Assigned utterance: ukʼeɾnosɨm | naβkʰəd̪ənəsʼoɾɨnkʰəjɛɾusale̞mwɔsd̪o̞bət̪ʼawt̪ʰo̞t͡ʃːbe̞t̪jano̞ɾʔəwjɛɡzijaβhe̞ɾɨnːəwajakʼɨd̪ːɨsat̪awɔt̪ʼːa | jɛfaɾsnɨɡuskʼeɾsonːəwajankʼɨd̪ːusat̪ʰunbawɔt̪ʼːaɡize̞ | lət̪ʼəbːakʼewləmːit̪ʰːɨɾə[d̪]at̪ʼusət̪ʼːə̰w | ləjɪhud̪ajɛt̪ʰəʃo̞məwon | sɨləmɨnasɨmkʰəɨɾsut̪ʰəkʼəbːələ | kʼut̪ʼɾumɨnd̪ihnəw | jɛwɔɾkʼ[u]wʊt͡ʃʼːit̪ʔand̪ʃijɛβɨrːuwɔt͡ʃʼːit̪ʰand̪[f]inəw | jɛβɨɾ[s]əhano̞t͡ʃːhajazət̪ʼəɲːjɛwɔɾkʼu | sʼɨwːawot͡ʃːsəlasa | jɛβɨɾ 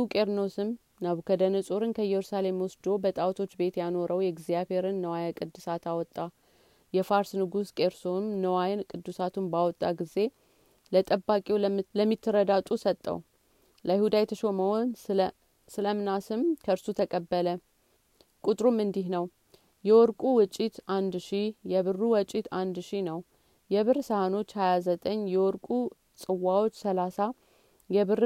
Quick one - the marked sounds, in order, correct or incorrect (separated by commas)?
correct, correct, incorrect, correct